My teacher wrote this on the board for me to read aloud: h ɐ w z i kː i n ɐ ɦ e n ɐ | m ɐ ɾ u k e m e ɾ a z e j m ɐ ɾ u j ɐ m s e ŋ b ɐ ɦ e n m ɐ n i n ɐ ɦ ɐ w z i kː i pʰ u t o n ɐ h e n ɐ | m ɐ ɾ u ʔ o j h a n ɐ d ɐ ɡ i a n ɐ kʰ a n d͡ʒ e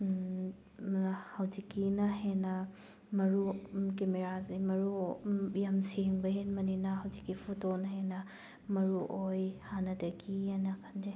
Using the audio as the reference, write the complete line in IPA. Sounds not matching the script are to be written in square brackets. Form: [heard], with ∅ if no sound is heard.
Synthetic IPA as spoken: h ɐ w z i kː i n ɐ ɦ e n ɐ | m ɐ ɾ u k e m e ɾ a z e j m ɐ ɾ u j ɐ m s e ŋ b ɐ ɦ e n m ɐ n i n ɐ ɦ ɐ w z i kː i pʰ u t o n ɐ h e n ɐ | m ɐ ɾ u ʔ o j h a n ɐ d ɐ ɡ i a n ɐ kʰ a n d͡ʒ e